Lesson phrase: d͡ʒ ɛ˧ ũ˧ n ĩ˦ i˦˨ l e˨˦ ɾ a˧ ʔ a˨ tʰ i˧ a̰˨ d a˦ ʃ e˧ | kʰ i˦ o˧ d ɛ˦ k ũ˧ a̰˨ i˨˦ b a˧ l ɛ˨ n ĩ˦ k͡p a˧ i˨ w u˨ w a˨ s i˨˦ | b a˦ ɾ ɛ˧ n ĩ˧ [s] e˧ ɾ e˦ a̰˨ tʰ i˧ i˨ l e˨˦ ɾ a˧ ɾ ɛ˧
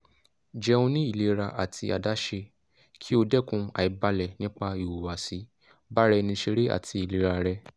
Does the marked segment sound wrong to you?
yes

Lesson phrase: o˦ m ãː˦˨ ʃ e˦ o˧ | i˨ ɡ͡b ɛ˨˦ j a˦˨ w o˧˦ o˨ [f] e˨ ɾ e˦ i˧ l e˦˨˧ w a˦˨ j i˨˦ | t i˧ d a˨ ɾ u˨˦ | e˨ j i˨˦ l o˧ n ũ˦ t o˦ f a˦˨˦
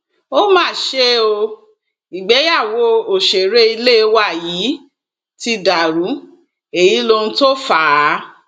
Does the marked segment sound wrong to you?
yes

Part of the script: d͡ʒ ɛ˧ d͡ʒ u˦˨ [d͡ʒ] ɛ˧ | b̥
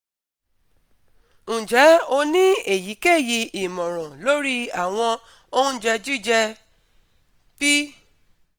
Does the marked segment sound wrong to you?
no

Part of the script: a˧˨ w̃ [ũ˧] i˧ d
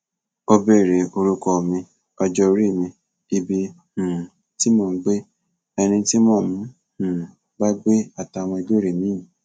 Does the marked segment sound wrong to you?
yes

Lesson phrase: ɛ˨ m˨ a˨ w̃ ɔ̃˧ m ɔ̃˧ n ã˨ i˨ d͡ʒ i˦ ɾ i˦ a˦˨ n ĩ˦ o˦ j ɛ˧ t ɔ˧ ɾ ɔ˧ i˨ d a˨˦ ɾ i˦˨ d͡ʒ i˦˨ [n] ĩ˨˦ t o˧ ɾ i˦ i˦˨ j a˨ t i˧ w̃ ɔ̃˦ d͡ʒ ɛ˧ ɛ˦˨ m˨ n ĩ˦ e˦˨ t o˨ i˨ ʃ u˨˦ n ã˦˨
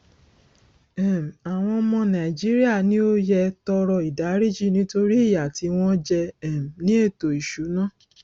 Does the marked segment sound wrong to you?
no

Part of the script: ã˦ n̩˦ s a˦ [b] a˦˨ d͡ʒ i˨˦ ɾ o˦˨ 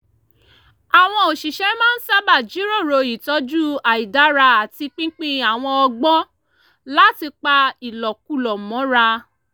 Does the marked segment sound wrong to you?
no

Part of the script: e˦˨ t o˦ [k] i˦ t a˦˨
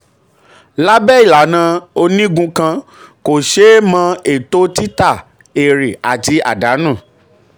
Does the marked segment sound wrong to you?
yes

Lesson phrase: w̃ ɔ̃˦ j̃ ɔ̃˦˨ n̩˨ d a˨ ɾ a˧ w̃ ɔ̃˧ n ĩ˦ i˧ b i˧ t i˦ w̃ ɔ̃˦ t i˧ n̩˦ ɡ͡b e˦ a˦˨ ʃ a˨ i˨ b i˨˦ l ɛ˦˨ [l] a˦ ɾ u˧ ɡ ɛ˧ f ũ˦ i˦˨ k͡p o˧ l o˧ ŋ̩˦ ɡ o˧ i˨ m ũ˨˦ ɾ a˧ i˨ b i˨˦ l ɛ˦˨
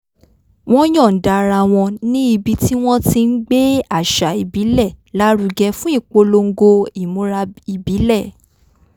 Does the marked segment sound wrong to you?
no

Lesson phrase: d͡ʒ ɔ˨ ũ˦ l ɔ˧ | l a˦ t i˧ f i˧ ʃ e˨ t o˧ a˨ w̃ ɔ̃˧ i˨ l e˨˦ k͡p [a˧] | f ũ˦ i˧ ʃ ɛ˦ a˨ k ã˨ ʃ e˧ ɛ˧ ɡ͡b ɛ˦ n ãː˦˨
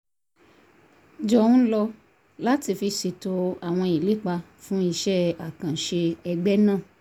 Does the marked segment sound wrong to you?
no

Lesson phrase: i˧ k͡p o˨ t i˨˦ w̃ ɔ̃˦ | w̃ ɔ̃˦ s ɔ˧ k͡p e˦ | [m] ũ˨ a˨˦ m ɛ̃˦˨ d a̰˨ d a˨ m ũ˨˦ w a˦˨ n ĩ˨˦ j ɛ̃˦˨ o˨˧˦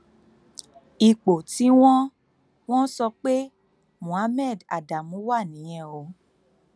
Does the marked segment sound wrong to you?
no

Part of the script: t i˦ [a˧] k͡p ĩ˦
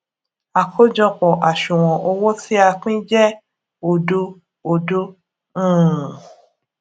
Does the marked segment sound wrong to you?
no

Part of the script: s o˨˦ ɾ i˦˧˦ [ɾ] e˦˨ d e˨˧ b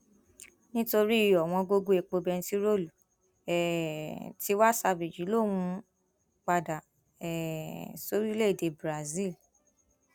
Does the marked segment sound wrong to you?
yes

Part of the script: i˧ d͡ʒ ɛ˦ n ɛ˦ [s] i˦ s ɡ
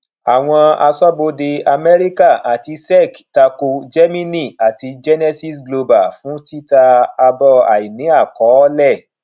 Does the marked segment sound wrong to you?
no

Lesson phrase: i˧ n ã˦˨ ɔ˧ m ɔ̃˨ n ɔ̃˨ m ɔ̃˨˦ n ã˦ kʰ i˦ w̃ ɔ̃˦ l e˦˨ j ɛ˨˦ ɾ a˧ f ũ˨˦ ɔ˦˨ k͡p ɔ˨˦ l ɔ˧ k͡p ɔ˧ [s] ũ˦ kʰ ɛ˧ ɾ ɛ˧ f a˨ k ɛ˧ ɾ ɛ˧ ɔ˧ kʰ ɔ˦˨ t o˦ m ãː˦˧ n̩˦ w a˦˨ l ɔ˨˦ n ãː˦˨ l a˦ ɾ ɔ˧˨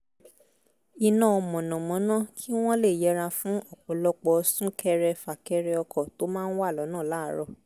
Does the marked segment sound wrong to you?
no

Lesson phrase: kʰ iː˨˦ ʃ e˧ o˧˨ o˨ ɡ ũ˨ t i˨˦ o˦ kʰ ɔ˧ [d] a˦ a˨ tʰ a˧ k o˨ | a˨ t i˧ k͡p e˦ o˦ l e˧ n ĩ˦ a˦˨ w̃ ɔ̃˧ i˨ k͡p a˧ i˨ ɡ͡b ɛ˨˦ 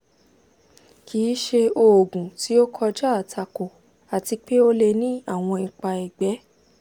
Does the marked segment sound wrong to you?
yes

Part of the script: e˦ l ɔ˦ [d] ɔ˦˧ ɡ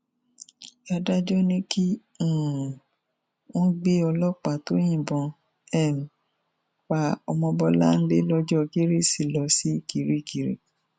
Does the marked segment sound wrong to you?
yes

